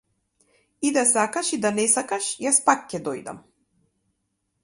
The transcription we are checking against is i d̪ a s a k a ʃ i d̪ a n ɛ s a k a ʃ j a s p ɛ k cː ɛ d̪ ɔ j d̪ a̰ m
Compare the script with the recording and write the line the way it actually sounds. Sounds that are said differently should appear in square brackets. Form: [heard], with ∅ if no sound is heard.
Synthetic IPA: i d̪ a s a k a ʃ i d̪ a n ɛ s a k a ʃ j a s p [a] k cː ɛ d̪ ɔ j d̪ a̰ m